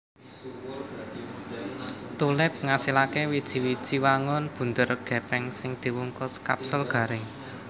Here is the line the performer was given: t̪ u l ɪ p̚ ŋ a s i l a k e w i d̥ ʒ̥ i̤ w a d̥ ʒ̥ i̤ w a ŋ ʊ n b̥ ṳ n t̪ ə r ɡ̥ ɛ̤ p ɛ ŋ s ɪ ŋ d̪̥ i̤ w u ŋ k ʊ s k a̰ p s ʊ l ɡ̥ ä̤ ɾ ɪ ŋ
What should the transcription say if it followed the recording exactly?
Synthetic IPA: t̪ u l ɪ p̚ ŋ a s i l a k e w i d̥ ʒ̥ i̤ w i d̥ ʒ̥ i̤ w a ŋ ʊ n b̥ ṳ n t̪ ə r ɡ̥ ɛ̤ p ɛ ŋ s ɪ ŋ d̪̥ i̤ w u ŋ k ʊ s k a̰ p s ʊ l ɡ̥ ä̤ ɾ ɪ ŋ